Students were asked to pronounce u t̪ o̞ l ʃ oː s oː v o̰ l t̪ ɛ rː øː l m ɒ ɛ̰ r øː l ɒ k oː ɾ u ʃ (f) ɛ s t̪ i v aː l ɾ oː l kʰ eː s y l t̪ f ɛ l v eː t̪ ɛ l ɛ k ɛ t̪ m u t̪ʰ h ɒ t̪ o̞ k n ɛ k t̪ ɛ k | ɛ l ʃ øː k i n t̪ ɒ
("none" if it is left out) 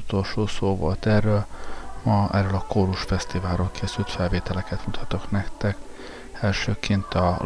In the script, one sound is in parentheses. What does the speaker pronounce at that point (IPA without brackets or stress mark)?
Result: f